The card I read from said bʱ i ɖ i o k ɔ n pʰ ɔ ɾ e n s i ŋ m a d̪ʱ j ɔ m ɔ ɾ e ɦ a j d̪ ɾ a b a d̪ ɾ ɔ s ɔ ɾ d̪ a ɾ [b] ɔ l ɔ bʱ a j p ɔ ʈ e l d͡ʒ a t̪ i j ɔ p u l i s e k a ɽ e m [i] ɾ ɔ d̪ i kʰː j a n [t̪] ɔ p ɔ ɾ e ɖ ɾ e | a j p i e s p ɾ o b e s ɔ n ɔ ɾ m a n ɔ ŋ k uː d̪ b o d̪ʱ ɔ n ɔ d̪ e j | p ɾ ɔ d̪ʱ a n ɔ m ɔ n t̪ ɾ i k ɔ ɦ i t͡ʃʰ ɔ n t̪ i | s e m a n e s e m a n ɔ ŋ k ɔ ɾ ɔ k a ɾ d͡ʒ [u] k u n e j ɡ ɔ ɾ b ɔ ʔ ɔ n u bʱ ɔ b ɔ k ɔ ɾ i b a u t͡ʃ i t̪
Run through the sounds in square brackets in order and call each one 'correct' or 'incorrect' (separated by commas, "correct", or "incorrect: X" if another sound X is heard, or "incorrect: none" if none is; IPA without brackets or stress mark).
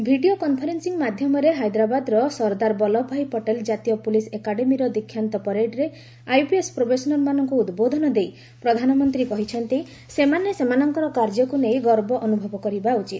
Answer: correct, correct, correct, incorrect: ɔ